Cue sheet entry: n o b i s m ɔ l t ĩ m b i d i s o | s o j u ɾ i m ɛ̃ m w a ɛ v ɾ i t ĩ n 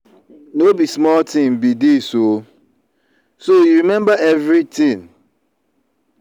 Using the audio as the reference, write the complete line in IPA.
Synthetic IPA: n o b i s m ɔ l t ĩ m b i d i s o | s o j u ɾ i m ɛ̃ m b a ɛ v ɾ i t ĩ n